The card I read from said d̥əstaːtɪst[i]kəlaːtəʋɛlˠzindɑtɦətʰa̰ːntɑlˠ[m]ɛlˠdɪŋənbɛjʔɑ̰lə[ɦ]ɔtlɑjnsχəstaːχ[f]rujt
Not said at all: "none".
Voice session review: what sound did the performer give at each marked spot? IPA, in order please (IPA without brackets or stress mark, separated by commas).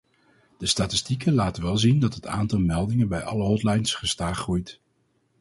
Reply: i, m, ɦ, χ